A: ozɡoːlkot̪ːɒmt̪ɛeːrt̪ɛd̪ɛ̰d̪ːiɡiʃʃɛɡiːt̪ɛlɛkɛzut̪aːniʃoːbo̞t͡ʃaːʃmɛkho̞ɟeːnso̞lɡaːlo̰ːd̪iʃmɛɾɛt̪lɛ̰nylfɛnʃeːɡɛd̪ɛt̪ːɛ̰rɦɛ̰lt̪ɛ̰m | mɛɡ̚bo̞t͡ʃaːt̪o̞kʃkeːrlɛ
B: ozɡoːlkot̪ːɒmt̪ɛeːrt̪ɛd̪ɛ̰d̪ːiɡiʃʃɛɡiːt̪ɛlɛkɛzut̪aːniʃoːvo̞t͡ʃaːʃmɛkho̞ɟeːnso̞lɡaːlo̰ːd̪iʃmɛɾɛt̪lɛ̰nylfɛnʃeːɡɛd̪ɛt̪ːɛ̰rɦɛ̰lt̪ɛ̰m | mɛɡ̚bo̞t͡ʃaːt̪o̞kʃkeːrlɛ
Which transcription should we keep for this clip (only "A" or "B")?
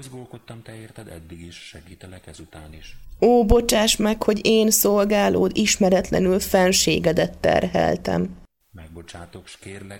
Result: A